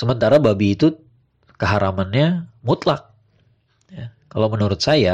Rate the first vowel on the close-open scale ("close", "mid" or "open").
mid